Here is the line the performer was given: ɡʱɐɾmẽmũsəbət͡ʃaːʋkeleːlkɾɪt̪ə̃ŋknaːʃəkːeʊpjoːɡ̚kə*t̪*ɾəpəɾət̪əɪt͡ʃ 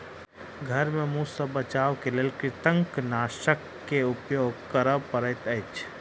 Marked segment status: incorrect: none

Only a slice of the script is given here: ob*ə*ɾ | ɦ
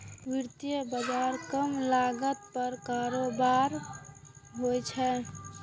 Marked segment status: incorrect: a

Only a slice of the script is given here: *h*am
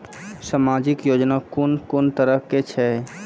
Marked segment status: incorrect: s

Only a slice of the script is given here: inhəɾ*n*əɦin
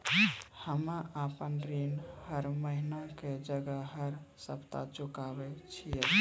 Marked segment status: incorrect: m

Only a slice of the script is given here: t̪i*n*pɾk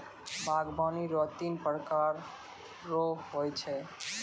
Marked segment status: correct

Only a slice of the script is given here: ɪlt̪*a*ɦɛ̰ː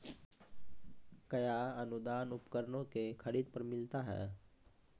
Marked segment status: correct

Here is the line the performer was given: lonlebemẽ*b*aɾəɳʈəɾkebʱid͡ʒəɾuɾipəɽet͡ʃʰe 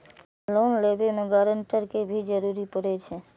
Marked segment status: incorrect: ɡ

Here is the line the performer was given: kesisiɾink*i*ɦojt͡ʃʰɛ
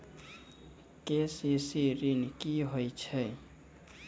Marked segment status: correct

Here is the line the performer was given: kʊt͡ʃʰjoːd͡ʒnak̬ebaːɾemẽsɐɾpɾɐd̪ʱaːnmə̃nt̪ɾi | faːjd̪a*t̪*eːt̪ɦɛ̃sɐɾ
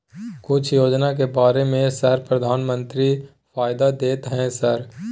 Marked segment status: incorrect: d̪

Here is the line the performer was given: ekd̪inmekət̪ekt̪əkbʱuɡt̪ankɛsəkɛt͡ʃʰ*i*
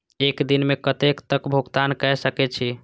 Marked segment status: correct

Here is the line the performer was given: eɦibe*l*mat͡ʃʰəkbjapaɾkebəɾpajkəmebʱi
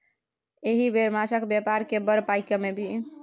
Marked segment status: incorrect: ɾ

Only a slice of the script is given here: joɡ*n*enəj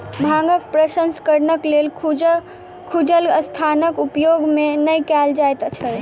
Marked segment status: incorrect: m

